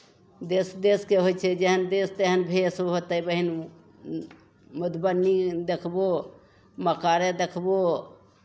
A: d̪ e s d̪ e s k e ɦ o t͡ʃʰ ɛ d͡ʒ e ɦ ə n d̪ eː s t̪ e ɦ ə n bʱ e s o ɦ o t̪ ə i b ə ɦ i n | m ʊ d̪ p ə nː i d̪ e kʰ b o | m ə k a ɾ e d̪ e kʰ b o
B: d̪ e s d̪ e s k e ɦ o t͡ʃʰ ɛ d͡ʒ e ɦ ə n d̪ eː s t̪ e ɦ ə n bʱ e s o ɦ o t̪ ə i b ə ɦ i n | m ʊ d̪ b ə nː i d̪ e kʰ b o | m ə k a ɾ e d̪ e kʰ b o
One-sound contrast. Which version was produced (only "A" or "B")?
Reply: B